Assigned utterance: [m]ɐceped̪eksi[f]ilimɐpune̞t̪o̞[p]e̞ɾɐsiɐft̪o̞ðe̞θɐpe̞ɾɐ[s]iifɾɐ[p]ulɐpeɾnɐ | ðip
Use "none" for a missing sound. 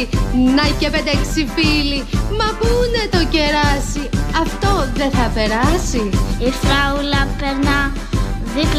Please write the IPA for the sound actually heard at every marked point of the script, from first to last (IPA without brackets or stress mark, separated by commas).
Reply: n, f, c, s, none